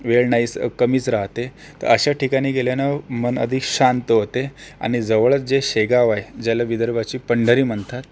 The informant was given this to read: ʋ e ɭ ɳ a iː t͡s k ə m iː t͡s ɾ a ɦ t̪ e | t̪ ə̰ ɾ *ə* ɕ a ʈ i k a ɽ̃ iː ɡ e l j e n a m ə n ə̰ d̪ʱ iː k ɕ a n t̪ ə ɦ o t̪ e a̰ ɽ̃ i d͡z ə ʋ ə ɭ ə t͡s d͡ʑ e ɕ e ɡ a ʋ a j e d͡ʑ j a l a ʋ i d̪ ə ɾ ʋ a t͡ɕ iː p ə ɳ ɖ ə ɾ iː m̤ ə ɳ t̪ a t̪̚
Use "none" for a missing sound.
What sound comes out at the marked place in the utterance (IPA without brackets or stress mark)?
ə